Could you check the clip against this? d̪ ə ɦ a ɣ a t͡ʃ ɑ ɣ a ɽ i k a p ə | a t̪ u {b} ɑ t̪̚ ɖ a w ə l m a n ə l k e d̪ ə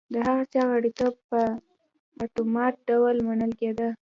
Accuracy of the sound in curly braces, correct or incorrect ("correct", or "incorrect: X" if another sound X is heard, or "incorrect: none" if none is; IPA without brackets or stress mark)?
incorrect: m